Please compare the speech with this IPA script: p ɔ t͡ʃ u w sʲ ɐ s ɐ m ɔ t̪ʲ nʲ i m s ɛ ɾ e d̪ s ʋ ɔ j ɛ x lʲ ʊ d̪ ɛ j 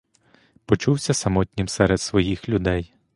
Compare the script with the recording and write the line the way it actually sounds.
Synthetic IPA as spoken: p ɔ t͡ʃ u w sʲ ɐ s ɐ m ɔ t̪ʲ nʲ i m s ɛ ɾ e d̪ s ʋ ɔ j i x lʲ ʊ d̪ ɛ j